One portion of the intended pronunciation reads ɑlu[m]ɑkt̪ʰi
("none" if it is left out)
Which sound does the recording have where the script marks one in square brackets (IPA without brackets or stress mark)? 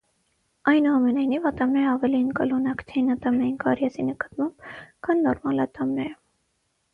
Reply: n